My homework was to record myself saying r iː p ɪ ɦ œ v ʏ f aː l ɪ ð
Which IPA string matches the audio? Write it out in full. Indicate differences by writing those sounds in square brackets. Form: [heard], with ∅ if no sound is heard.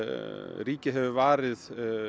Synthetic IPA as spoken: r iː [c] ɪ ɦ [ɛ] v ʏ [v] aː [ɾ] ɪ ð